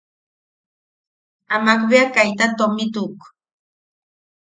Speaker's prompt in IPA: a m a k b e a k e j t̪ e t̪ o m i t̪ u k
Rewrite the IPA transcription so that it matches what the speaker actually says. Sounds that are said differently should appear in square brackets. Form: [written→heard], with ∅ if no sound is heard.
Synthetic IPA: a m a k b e a k [e→a] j t̪ [e→a] t̪ o m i t̪ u k

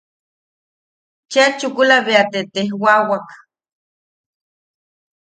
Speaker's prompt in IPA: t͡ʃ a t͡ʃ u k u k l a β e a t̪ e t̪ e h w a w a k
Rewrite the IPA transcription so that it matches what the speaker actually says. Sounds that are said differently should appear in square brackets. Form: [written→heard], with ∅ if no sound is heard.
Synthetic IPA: t͡ʃ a t͡ʃ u k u [k→∅] l a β e a t̪ e t̪ e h w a w a k

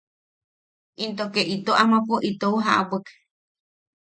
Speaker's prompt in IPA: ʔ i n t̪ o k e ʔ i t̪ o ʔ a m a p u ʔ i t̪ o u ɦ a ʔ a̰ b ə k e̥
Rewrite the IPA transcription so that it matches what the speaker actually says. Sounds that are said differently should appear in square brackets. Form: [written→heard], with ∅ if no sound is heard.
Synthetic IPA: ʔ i n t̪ o k e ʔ i t̪ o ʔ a m a p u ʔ i t̪ o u ɦ a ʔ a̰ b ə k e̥

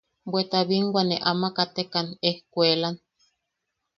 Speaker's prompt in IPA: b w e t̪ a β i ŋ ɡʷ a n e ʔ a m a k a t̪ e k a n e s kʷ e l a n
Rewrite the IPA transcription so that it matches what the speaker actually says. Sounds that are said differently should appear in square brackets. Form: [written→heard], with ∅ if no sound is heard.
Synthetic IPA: b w e t̪ a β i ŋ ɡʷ a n e ʔ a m a k a t̪ e k a n e [s→h] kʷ e l a n

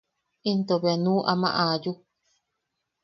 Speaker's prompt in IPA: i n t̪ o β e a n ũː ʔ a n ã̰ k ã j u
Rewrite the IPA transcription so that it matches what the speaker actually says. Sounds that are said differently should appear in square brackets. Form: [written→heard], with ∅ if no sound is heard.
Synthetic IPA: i n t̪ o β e a n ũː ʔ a [n→m] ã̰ [k→ʔ] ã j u

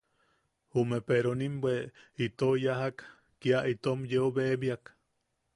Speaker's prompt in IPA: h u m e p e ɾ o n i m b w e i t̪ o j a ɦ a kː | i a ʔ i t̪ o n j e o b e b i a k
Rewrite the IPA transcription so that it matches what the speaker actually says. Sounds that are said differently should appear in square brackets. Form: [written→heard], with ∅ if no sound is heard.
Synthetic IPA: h u m e p e ɾ o n i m b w e i t̪ o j a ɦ a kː | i a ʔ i t̪ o [n→m] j e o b e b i a k

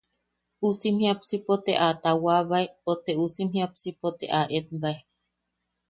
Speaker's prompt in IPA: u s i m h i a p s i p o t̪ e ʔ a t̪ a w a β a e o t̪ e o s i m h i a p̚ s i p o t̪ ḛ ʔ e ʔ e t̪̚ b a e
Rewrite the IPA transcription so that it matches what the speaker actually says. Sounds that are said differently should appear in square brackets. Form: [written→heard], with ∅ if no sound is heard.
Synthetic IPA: u s i m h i a p s i p o t̪ e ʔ a t̪ a w a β a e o t̪ e [o→u] s i m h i a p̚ s i p o t̪ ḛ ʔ [e→a] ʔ e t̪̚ b a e

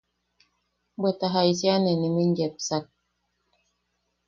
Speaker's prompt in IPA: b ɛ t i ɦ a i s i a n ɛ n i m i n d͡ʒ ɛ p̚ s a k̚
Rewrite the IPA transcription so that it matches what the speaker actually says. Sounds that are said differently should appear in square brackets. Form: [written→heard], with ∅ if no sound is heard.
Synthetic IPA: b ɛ t [i→a] ɦ a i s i a n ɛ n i m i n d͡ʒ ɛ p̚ s a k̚

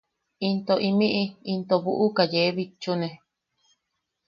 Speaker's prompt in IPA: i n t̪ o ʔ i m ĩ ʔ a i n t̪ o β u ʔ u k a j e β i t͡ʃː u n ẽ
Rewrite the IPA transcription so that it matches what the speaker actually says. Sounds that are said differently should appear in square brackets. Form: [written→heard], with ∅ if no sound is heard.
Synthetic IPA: i n t̪ o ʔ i m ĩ ʔ [a→i] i n t̪ o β u ʔ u k a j e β i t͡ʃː u n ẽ

